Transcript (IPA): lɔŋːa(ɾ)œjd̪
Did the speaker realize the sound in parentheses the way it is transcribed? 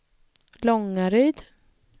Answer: yes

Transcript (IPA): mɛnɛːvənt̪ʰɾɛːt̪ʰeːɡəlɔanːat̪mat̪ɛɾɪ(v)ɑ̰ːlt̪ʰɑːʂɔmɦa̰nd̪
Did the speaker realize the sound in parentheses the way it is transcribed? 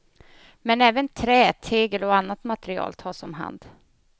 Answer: no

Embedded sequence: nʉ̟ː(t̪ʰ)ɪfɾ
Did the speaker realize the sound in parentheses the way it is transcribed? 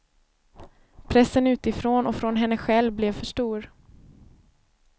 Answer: no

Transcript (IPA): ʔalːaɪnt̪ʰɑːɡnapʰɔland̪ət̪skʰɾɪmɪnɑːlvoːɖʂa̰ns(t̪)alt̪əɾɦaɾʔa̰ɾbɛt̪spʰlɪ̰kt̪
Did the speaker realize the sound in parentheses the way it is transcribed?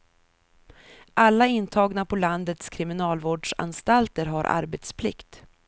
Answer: yes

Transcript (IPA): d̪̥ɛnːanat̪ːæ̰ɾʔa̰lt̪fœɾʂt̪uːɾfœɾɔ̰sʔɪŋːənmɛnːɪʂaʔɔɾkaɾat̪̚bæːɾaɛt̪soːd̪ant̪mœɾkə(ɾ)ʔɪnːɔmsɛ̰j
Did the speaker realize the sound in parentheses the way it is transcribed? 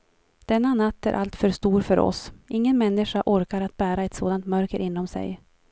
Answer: yes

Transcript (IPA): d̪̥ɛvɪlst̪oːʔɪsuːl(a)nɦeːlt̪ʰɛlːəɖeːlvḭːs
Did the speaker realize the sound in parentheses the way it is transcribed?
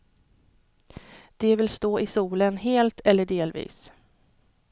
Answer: no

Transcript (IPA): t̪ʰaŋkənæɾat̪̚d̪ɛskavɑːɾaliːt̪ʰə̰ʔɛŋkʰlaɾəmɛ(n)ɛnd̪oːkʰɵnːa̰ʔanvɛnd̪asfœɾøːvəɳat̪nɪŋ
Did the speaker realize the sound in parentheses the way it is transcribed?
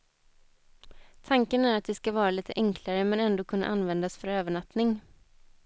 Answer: yes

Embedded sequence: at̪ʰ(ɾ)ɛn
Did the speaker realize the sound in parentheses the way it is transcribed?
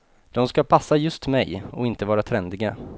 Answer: yes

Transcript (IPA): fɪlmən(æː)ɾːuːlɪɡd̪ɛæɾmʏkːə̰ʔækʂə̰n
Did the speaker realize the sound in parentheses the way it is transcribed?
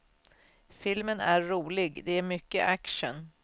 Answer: no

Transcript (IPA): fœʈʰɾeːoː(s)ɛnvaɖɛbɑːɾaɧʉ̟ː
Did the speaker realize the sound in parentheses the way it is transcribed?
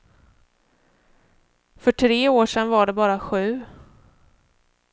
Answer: no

